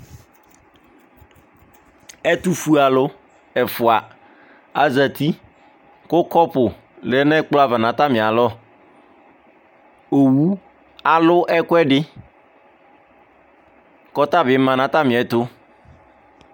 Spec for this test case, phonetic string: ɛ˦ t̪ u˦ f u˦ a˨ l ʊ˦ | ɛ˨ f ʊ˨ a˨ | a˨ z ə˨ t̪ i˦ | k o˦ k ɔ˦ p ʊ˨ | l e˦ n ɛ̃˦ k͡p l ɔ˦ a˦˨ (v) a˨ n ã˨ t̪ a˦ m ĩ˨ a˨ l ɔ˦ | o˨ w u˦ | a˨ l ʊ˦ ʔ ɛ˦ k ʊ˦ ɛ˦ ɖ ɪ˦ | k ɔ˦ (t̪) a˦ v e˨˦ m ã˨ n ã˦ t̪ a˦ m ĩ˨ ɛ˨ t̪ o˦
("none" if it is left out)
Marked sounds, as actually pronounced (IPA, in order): v, t̪

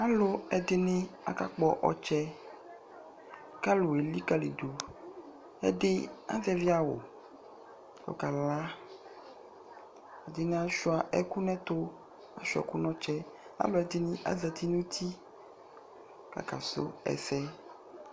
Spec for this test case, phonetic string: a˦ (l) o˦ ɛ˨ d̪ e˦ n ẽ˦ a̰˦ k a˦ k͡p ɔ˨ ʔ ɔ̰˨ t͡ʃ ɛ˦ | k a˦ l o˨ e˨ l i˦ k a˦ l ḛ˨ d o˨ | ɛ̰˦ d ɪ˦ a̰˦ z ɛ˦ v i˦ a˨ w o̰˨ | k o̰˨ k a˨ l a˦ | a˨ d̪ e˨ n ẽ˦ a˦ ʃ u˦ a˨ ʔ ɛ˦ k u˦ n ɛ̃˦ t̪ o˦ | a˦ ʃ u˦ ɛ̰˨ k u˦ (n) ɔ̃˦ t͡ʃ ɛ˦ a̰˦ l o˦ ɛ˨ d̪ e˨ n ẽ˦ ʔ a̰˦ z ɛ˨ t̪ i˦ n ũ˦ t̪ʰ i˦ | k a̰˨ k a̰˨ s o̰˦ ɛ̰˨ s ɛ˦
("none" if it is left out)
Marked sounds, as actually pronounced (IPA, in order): l, n

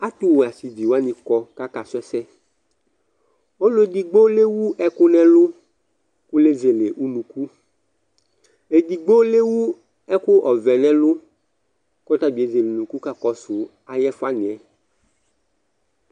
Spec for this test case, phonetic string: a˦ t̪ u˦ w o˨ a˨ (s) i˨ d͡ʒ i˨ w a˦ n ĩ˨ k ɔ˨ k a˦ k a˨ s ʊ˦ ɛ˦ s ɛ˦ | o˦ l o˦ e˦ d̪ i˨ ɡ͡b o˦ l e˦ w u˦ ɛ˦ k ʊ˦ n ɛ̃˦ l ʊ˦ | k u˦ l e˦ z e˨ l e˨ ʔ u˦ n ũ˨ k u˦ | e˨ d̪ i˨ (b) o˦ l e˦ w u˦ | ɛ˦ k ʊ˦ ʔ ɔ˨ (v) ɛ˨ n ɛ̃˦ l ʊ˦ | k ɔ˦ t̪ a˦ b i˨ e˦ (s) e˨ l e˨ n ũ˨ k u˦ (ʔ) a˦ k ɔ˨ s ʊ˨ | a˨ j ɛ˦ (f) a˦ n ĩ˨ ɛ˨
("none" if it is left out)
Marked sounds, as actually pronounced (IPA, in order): s, ɡ͡b, v, z, k, f

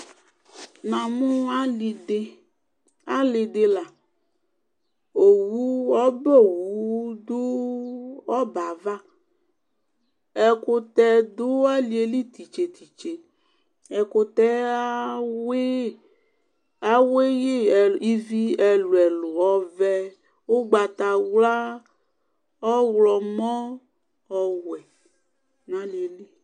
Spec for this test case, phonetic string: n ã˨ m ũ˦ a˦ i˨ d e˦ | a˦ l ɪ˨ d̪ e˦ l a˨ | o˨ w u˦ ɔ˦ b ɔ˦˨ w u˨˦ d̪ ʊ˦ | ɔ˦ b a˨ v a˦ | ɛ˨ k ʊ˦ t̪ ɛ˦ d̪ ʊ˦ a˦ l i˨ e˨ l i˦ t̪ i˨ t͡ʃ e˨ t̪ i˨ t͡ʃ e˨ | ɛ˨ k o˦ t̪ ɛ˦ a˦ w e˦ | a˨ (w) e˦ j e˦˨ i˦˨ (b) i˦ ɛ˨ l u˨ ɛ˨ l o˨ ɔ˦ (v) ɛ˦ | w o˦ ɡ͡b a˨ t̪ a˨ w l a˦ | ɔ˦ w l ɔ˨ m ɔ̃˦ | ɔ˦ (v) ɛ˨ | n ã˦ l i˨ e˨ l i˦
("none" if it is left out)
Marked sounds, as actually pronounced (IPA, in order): w, v, v, w

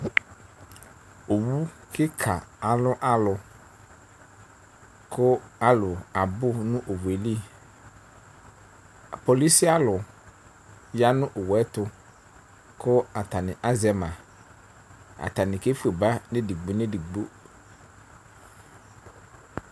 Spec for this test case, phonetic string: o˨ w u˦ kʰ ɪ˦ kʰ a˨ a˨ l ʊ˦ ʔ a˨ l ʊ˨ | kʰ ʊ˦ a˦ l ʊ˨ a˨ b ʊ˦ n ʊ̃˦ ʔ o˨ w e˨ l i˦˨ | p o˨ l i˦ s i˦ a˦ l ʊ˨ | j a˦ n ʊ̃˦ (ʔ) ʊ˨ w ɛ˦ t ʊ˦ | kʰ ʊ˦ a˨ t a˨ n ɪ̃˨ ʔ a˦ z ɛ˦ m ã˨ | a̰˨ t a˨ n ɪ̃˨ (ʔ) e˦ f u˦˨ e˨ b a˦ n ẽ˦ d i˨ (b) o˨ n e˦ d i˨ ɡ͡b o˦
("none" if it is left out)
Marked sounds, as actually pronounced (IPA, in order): ʔ, k, ɡ͡b

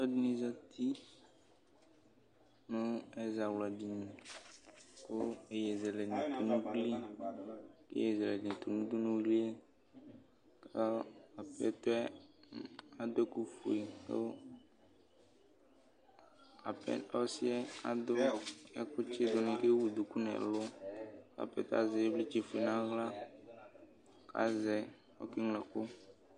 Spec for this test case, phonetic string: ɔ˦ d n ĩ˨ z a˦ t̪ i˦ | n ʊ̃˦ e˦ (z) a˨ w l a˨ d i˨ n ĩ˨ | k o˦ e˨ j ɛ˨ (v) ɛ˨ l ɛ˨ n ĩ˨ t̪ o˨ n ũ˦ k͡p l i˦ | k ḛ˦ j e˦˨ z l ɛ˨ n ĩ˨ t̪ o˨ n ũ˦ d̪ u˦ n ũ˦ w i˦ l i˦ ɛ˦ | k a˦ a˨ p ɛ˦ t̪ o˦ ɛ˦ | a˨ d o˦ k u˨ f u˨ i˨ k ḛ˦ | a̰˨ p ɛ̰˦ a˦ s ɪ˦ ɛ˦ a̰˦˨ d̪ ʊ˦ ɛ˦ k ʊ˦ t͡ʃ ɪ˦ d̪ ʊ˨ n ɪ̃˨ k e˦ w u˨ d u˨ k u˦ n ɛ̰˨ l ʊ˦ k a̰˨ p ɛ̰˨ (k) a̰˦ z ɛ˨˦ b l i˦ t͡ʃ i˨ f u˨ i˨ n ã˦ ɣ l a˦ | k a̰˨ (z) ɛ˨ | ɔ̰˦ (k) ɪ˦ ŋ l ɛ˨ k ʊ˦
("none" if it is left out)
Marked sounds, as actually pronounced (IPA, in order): z, z, t, z, k

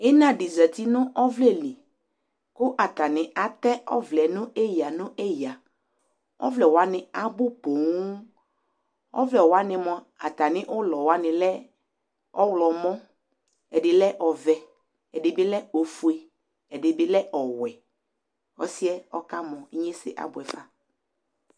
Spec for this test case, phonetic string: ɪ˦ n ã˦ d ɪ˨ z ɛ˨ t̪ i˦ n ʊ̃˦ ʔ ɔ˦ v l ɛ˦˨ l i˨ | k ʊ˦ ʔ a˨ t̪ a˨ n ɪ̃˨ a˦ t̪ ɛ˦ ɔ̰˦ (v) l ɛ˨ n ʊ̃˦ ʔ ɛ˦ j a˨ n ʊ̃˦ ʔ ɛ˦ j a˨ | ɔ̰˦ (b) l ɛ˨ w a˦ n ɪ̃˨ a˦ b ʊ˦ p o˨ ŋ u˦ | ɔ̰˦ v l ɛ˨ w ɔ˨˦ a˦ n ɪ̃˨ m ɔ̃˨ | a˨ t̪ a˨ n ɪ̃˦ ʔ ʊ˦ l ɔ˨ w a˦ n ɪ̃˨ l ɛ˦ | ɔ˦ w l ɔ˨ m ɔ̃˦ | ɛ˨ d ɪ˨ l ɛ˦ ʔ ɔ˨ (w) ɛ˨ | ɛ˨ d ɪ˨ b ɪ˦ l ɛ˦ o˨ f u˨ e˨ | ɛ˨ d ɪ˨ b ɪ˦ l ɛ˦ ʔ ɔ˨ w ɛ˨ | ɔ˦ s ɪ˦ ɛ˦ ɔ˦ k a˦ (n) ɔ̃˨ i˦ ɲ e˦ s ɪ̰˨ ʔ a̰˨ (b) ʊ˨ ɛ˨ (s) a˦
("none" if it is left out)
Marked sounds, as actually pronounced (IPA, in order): v, v, v, m, b, f

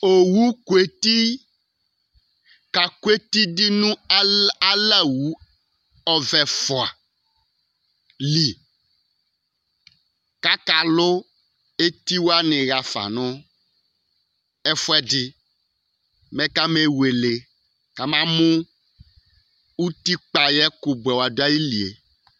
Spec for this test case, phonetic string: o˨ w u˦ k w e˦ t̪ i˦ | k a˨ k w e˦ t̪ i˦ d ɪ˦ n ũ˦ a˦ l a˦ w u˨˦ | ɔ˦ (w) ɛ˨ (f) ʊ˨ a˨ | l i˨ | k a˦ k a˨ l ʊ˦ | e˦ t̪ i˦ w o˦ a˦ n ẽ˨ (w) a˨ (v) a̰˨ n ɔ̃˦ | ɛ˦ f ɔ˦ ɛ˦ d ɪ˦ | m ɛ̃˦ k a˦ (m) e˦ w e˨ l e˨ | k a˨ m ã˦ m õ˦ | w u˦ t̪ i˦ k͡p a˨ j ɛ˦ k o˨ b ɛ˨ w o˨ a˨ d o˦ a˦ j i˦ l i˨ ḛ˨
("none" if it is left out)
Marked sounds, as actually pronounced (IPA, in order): v, f, ɣ, f, m

